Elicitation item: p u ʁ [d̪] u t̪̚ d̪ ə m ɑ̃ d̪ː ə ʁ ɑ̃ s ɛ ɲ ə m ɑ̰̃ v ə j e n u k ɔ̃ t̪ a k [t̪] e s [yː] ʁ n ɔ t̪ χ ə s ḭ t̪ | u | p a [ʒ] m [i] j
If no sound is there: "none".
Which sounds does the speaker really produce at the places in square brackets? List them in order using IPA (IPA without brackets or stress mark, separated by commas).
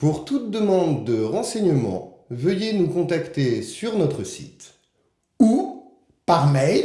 t̪, t̪, y, ʁ, ɛ